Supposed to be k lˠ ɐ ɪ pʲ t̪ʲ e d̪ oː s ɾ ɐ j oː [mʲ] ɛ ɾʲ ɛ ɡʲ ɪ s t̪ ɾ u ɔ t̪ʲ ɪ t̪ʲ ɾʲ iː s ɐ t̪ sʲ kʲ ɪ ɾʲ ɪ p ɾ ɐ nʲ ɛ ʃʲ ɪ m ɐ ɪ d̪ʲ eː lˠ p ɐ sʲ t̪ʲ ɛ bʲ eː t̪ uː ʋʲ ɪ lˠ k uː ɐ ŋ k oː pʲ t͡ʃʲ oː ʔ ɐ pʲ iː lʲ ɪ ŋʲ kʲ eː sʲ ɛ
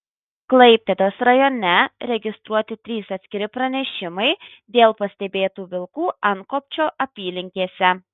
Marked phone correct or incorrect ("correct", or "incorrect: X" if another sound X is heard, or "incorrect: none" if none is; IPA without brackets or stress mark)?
incorrect: nʲ